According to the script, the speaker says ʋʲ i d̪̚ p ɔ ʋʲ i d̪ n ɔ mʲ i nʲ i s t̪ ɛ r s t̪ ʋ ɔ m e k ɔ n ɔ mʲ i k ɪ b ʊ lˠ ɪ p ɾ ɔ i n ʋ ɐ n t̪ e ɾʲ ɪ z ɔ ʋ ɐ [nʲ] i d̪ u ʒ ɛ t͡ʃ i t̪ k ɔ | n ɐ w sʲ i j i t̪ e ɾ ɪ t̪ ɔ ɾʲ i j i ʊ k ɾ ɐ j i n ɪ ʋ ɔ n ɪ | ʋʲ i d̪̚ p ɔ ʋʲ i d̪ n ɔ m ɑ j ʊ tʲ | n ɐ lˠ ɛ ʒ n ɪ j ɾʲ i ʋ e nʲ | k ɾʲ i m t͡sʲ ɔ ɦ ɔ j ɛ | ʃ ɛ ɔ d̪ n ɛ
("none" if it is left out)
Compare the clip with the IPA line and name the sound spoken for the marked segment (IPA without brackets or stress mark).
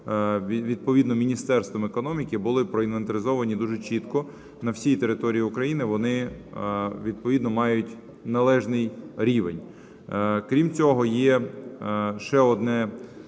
nʲ